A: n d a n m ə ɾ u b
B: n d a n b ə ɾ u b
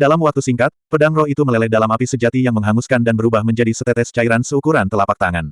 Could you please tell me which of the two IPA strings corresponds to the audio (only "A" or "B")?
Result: B